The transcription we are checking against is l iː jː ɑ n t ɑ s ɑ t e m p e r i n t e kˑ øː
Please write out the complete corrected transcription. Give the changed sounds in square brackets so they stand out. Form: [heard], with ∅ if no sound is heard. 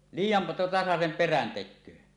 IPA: l iː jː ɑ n t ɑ s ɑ [s] e m p e r [æ] n t e kˑ øː